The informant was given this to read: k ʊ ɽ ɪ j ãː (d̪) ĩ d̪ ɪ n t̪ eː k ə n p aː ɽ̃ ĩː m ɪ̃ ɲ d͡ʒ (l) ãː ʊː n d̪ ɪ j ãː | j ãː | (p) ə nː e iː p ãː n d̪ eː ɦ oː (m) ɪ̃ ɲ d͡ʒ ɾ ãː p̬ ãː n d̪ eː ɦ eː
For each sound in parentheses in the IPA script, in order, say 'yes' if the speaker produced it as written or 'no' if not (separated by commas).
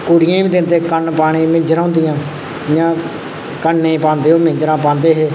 no, no, no, yes